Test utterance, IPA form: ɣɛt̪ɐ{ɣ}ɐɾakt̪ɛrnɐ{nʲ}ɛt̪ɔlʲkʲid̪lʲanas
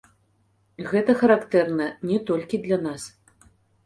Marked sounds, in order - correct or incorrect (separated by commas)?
incorrect, correct